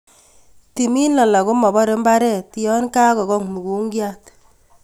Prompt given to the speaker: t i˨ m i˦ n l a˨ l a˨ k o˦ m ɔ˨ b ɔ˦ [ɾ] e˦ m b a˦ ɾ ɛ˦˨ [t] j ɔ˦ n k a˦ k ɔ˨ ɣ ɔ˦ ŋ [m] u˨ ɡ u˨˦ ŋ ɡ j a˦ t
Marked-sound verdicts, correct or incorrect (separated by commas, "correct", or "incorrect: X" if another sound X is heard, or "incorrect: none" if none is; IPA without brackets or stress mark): correct, correct, correct